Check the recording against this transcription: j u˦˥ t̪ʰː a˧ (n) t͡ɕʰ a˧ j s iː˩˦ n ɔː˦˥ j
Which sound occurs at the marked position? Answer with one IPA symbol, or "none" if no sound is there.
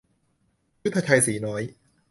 none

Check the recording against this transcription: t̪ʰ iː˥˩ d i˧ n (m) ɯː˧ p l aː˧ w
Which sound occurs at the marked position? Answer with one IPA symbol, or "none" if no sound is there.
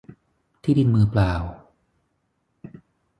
m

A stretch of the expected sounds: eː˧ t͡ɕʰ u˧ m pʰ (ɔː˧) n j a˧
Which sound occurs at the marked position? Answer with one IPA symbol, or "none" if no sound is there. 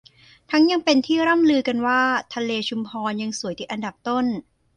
ɔː˧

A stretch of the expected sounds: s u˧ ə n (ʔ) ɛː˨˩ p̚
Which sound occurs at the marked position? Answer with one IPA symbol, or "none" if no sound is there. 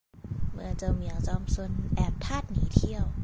ʔ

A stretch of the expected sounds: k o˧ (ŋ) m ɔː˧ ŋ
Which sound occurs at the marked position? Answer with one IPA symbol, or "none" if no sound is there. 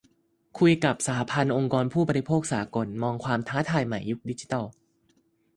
n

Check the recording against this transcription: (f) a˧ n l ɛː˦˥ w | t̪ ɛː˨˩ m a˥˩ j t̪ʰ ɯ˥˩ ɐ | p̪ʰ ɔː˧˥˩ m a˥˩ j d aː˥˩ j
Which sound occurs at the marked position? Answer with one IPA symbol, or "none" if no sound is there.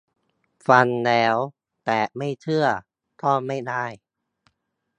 f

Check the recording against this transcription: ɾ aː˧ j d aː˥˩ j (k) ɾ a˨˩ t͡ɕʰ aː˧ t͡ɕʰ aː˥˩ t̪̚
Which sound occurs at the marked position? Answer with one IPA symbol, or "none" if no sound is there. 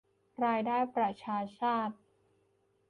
p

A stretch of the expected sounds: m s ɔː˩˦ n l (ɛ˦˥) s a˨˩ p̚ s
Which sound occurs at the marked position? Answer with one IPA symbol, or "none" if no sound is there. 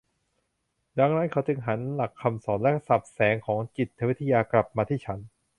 ɛ˦˥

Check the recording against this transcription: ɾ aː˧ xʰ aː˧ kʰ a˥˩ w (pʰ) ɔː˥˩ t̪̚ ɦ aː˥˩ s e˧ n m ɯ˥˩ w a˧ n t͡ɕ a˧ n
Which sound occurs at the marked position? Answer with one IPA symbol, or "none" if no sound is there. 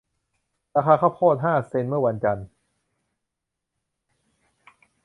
pʰ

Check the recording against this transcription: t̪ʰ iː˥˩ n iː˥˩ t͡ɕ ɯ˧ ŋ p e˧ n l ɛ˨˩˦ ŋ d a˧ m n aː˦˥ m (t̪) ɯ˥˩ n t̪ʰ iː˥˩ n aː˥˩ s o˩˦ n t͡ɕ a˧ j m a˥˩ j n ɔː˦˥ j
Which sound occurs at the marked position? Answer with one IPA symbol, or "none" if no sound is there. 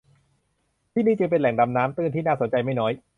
t̪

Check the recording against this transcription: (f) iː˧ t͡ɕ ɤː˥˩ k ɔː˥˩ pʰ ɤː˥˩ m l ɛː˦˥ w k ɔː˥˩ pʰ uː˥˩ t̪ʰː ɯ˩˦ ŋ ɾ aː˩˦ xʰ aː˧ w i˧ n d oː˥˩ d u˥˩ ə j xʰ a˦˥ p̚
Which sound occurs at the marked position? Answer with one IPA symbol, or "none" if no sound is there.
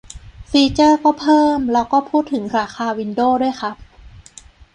f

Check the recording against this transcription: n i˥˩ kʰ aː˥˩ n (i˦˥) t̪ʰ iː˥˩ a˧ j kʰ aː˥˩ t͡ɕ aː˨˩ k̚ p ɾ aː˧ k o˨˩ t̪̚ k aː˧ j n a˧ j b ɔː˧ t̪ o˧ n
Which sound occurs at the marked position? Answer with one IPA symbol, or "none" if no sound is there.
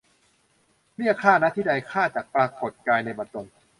a˦˥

